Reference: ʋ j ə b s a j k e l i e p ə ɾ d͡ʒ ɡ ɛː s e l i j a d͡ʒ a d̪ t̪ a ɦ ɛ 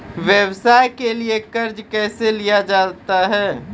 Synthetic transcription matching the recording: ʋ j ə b s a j k e l i e k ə ɾ d͡ʒ k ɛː s e l i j a d͡ʒ a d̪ t̪ a ɦ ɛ